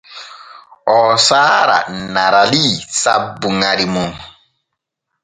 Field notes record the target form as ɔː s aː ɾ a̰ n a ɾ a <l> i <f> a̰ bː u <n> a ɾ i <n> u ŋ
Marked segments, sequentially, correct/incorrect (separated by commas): correct, incorrect, incorrect, incorrect